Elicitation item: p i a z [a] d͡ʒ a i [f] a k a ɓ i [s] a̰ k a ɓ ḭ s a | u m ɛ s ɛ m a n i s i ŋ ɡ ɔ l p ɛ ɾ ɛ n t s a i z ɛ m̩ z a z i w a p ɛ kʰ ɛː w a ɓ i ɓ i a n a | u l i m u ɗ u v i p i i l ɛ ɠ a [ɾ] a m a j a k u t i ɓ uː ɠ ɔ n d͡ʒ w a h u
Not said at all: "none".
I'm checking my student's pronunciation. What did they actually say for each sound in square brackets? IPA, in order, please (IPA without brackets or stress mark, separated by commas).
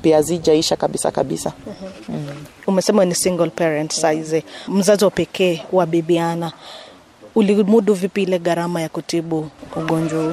i, ʃ, s, ɾ